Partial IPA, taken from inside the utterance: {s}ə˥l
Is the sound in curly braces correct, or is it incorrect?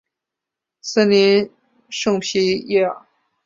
correct